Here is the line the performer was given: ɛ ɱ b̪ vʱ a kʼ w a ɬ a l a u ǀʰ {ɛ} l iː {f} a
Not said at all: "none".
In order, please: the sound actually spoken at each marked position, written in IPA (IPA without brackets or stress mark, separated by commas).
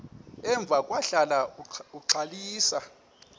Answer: a, s